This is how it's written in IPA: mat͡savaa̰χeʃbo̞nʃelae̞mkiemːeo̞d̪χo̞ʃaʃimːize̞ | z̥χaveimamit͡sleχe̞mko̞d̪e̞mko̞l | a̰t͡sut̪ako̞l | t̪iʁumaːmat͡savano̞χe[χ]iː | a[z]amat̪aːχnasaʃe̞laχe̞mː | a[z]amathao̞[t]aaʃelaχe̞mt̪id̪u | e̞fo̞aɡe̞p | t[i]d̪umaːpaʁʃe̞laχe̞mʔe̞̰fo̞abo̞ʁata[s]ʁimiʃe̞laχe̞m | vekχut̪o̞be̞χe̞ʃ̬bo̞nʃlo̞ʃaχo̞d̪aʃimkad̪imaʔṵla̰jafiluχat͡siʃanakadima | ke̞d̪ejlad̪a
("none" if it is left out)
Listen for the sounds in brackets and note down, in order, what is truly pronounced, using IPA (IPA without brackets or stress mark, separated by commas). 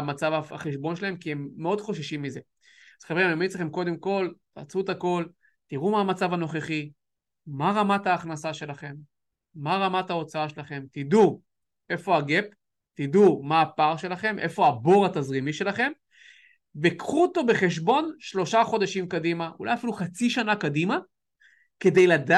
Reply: χ, ʁ, ʁ, t͡s, i, z